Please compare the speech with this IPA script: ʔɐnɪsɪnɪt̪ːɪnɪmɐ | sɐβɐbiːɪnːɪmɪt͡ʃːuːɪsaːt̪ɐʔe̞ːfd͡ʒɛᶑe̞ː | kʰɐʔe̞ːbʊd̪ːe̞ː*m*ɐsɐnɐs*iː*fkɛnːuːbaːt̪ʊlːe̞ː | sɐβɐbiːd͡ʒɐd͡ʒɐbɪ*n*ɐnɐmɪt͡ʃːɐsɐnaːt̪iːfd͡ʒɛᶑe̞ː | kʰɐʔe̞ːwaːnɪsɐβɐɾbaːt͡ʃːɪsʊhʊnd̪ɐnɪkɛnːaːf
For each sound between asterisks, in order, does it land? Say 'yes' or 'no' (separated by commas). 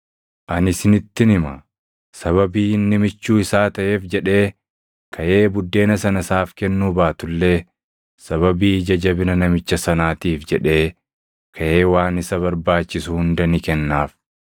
no, no, yes